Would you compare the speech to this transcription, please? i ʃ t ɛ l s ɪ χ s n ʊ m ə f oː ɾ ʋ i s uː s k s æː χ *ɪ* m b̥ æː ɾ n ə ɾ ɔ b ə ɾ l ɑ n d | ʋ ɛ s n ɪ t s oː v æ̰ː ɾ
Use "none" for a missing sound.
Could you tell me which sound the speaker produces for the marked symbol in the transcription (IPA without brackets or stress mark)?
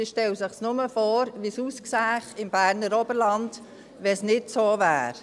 ɪ